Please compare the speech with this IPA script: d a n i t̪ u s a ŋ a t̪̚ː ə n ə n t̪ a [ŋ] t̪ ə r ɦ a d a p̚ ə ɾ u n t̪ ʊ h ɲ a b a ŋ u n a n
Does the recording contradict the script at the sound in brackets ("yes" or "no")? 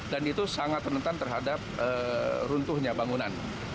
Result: yes